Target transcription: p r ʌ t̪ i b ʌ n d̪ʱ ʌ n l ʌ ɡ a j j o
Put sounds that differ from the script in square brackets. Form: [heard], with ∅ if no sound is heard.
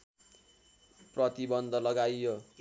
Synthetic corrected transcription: p r ʌ t̪ i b ʌ n d̪ʱ ʌ [∅] l ʌ ɡ a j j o